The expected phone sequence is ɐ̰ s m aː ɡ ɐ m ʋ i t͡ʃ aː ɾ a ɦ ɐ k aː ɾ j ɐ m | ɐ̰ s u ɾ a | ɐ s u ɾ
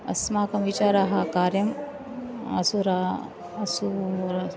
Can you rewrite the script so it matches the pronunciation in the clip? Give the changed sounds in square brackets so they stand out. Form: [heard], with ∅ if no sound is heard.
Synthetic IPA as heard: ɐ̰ s m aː [k] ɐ m ʋ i t͡ʃ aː ɾ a ɦ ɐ k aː ɾ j ɐ m | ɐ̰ s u ɾ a | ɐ s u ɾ

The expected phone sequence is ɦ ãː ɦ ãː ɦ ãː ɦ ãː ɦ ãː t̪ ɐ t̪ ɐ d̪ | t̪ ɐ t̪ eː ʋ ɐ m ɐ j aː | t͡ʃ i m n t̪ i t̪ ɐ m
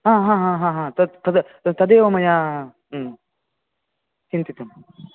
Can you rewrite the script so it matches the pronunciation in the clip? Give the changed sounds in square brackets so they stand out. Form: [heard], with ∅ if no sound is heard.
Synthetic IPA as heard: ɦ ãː ɦ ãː ɦ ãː ɦ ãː ɦ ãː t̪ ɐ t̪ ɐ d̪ | t̪ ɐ [d̪] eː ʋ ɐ m ɐ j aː | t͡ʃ i [∅] n t̪ i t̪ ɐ m

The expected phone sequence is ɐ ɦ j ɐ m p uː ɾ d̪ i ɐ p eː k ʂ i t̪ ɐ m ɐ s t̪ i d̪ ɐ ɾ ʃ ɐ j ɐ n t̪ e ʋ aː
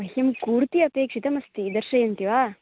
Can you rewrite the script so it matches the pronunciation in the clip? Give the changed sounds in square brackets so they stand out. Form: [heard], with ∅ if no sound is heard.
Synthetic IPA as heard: ɐ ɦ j ɐ m [k] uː ɾ [t̪] i ɐ p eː k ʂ i t̪ ɐ m ɐ s t̪ i d̪ ɐ ɾ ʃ ɐ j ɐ n t̪ [i] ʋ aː

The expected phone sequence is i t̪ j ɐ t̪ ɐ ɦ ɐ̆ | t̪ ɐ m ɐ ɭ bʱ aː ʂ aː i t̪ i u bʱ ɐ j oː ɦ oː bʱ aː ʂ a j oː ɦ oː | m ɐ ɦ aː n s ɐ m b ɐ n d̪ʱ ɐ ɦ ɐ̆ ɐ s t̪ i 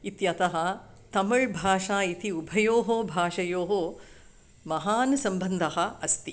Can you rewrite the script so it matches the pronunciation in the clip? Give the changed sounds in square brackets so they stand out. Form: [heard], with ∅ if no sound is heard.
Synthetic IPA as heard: i t̪ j ɐ t̪ ɐ ɦ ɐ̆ | t̪ ɐ m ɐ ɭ bʱ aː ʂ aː i t̪ i u bʱ ɐ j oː ɦ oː bʱ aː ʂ [ɐ] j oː ɦ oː | m ɐ ɦ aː n s ɐ m b ɐ n d̪ʱ ɐ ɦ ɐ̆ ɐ s t̪ i

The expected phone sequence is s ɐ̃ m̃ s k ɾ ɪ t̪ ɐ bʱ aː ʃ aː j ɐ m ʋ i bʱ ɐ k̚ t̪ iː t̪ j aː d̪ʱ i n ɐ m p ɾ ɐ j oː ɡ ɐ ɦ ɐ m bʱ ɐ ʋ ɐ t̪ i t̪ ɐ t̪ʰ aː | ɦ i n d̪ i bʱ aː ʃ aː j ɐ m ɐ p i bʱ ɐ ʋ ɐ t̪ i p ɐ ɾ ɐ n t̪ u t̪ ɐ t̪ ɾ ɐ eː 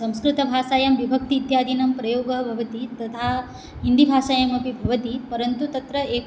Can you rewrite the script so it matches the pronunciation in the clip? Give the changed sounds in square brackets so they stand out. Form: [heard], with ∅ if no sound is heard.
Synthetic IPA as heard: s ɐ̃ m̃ s k ɾ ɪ t̪ ɐ bʱ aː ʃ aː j ɐ m ʋ i bʱ ɐ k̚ t̪ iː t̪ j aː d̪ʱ i n ɐ m p ɾ ɐ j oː ɡ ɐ ɦ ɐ [∅] bʱ ɐ ʋ ɐ t̪ i t̪ ɐ t̪ʰ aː | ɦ i n d̪ i bʱ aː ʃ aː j ɐ m ɐ p i bʱ ɐ ʋ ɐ t̪ i p ɐ ɾ ɐ n t̪ u t̪ ɐ t̪ ɾ ɐ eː

